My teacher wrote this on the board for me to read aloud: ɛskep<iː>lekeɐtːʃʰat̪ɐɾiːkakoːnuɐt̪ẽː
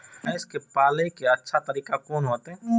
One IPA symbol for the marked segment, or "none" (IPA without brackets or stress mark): aː